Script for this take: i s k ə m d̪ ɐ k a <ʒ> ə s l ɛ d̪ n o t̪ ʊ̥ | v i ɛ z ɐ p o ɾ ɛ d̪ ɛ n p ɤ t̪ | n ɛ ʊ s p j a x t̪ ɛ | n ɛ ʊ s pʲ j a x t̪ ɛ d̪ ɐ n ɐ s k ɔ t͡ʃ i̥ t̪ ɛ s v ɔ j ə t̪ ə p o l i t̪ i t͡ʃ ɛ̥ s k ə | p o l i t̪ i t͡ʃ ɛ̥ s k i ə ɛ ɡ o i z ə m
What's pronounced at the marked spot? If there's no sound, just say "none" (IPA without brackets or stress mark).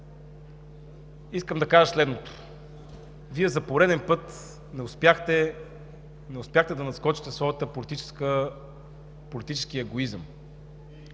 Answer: ʒ